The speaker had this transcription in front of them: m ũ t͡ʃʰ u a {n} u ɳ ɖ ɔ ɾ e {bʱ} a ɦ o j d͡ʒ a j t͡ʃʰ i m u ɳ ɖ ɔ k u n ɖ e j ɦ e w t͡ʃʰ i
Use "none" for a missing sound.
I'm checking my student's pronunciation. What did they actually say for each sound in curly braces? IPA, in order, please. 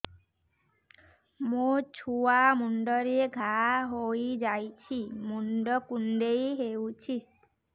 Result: m, ɡʱ

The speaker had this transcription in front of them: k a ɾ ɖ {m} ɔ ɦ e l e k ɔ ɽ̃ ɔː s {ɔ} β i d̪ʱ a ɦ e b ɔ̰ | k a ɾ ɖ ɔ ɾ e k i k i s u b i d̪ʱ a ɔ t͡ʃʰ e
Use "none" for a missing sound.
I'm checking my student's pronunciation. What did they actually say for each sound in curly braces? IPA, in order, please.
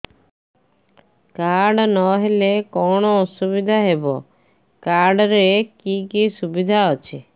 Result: n, u

